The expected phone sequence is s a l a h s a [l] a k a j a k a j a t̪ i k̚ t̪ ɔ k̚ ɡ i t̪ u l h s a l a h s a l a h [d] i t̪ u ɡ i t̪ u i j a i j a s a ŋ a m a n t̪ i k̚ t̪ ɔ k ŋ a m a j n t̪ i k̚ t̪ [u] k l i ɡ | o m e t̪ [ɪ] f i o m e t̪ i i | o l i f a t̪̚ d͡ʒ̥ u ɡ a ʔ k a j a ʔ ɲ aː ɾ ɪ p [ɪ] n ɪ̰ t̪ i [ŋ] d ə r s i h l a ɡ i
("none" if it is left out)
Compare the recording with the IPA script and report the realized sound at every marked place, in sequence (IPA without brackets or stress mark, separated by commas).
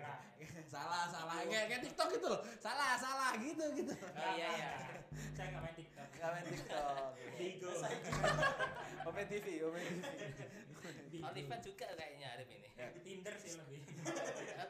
l, ɡ, ɔ, i, i, n